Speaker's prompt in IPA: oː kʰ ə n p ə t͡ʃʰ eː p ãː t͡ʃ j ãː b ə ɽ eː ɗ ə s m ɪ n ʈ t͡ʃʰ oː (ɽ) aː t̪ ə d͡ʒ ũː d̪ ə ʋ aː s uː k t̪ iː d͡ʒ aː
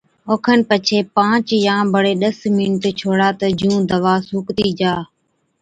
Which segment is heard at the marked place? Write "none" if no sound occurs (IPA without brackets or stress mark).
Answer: ɽ